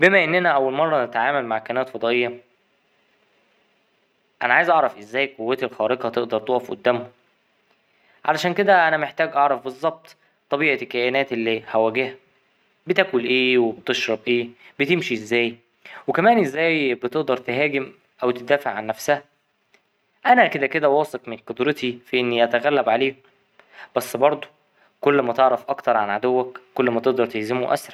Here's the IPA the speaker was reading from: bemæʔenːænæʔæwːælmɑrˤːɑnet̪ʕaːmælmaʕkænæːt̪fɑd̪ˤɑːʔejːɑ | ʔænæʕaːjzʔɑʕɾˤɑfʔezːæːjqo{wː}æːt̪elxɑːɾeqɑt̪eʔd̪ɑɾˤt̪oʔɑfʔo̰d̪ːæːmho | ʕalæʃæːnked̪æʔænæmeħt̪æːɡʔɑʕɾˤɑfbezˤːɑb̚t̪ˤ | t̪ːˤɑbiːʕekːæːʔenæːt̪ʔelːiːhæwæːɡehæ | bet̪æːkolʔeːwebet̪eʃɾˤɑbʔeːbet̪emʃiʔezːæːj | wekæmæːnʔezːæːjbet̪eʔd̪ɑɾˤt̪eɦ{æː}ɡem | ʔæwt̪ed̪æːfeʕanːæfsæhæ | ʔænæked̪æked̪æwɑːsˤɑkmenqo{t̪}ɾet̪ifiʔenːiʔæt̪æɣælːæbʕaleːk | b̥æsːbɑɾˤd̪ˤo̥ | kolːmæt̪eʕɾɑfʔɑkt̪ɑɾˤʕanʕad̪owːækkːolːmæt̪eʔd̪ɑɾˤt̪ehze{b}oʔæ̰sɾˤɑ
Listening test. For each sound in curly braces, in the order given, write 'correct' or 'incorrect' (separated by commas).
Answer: correct, correct, incorrect, incorrect